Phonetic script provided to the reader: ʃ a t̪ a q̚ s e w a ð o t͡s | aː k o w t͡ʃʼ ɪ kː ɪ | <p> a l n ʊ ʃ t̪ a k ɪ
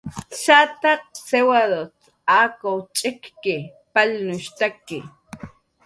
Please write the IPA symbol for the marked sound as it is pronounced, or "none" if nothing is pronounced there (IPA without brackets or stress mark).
p